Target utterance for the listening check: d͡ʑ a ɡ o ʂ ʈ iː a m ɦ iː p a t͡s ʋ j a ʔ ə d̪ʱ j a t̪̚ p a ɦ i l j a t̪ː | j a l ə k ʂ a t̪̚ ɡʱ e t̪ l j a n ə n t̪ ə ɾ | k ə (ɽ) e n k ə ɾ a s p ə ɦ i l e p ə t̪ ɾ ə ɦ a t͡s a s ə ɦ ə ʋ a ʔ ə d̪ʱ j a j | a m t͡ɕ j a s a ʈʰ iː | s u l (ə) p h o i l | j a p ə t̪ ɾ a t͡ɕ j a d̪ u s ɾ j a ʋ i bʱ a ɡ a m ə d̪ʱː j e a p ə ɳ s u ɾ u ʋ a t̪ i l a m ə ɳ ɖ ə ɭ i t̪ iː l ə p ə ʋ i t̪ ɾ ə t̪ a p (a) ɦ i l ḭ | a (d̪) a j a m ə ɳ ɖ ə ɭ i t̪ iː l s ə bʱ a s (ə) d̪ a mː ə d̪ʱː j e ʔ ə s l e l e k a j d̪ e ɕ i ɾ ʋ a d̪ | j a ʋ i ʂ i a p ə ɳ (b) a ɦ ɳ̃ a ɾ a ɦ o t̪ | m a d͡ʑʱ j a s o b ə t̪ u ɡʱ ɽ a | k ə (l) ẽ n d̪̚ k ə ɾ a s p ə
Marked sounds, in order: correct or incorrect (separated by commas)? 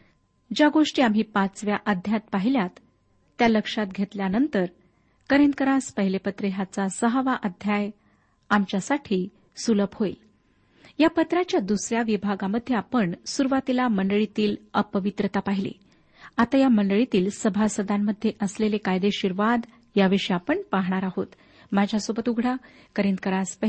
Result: incorrect, correct, correct, incorrect, correct, incorrect, incorrect